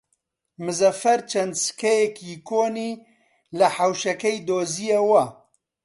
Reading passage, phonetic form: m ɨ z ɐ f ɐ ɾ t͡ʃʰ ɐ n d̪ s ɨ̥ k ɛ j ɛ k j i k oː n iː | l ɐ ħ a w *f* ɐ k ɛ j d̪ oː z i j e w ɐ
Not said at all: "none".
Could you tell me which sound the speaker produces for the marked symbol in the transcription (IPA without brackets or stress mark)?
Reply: ʃ